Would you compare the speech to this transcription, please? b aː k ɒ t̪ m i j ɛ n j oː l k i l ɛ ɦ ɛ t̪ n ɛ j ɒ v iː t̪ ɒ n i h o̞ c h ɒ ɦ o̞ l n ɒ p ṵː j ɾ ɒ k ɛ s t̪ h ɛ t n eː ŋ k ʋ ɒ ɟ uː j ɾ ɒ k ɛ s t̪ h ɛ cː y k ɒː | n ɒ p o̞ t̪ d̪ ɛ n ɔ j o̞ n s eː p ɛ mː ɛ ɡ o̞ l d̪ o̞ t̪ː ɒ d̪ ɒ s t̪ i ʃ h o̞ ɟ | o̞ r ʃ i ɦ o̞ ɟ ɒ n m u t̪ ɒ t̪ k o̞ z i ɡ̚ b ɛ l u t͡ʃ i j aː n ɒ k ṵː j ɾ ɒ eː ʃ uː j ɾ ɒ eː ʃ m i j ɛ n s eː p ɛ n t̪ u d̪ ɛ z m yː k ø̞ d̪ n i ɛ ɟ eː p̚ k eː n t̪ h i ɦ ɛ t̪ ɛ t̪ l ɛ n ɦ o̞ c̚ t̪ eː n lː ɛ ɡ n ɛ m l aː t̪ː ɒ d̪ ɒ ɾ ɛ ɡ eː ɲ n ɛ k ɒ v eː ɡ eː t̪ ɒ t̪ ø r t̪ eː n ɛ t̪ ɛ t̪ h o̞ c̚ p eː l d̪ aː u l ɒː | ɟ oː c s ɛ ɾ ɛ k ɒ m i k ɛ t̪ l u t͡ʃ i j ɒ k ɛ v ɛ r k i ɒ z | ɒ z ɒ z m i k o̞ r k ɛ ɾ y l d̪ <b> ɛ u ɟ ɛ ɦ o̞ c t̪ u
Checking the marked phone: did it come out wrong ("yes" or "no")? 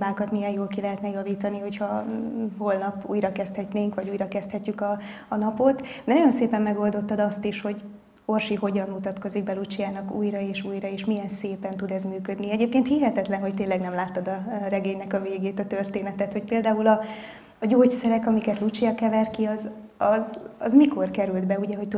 no